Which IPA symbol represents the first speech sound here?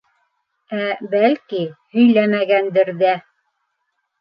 æ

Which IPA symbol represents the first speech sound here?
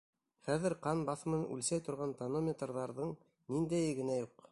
χ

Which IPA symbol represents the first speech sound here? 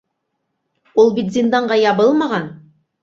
u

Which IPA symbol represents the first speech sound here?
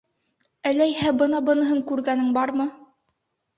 æ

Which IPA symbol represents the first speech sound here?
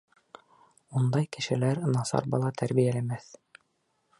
u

